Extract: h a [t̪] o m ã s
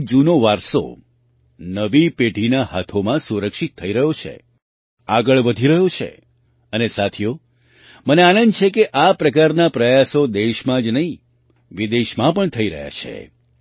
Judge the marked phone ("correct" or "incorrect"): incorrect